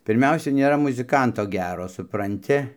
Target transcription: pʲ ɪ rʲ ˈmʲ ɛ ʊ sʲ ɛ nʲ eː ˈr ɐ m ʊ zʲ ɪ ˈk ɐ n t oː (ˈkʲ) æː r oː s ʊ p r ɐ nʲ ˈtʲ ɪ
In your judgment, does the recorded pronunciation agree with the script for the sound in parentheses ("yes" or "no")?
no